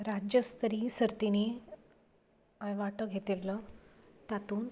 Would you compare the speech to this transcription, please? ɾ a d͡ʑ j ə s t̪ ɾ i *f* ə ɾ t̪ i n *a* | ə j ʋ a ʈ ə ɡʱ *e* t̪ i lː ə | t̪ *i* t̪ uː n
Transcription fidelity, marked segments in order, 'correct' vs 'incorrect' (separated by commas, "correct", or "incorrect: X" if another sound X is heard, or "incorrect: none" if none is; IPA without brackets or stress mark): incorrect: s, incorrect: i, correct, incorrect: a